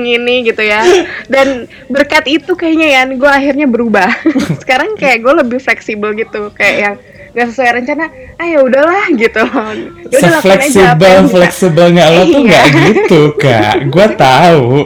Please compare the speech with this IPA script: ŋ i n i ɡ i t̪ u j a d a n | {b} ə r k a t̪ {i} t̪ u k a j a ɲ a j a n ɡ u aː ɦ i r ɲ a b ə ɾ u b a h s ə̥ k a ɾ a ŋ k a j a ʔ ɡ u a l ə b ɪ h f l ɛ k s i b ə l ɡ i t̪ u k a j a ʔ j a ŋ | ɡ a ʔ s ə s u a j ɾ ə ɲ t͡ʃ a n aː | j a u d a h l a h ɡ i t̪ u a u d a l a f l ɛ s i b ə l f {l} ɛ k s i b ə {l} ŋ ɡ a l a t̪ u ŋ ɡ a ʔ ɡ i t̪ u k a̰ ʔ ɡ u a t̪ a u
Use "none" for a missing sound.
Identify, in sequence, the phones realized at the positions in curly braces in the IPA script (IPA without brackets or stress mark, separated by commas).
b, i, l, l